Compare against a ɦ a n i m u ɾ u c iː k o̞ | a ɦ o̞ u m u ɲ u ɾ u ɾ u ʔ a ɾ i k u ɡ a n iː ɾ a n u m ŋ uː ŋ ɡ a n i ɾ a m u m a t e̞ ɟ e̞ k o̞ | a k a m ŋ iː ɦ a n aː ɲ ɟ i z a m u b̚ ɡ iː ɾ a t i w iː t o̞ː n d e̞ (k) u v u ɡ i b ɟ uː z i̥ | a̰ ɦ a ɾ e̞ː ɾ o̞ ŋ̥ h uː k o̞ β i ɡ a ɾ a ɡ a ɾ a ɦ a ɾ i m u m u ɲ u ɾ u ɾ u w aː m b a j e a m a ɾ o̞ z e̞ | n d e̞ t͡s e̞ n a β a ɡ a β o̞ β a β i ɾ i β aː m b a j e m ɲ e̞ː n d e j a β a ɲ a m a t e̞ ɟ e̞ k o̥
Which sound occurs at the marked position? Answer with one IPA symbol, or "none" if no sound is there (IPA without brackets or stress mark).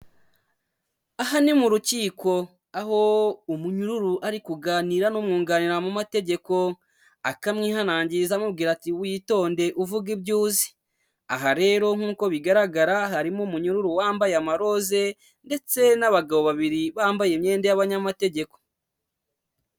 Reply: ʔ